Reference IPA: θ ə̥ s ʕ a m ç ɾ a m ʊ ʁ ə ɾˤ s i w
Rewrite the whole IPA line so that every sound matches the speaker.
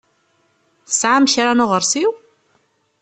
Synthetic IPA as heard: θ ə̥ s ʕ a m ç ɾ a n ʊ ʁ ə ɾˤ s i w